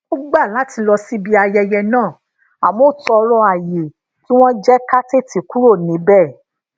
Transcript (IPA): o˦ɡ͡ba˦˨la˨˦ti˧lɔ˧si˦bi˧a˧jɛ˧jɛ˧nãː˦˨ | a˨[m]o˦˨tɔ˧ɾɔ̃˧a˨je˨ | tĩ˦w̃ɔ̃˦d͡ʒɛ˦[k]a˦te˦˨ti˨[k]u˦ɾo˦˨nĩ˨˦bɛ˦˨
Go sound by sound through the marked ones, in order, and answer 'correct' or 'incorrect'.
correct, correct, correct

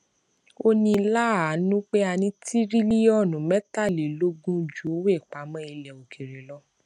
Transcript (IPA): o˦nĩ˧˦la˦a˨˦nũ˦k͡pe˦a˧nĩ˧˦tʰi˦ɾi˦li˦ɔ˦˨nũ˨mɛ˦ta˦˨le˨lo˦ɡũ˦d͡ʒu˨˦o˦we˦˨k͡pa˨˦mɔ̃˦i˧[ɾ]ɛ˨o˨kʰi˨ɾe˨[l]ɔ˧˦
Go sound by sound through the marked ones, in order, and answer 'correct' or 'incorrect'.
incorrect: l, correct

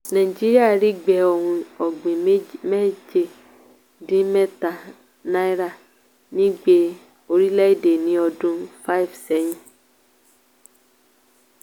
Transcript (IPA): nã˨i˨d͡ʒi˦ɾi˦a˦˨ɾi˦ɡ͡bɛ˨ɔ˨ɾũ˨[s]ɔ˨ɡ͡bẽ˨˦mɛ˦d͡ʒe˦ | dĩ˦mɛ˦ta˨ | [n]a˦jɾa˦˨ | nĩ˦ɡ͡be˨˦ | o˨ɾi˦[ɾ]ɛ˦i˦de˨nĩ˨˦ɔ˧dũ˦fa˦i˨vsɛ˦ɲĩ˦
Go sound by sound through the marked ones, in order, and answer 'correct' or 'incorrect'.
incorrect: none, correct, incorrect: l

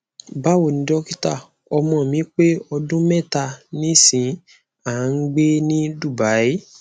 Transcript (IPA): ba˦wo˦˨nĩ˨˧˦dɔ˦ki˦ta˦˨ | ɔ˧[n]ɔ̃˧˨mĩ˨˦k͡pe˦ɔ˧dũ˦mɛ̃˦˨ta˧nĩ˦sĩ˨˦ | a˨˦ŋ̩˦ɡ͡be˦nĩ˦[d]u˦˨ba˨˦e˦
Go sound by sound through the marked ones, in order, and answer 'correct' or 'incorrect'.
incorrect: m, correct

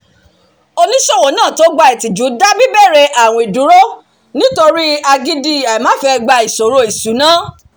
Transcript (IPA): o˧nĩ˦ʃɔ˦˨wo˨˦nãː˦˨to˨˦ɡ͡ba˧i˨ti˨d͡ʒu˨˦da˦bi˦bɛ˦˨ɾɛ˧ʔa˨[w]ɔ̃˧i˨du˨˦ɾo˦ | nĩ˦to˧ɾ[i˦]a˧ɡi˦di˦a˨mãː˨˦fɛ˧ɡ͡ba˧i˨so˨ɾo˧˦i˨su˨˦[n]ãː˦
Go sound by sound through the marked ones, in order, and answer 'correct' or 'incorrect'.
correct, correct, correct

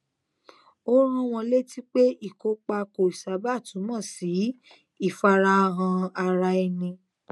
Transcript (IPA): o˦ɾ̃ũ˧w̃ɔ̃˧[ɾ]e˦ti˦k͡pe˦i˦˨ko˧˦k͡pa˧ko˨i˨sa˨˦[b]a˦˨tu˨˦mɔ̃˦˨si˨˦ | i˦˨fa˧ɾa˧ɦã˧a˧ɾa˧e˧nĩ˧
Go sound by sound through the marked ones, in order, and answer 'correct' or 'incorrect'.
incorrect: l, correct

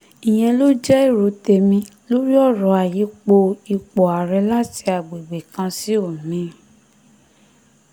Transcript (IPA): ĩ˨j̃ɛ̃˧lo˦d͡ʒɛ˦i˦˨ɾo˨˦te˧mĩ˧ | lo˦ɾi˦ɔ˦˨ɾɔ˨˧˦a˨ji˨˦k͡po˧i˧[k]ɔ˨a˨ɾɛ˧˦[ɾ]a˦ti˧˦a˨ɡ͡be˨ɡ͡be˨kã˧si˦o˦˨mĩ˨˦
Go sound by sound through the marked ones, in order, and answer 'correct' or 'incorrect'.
incorrect: k͡p, incorrect: l

